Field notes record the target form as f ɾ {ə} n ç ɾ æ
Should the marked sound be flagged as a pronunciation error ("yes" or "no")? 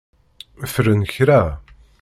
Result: no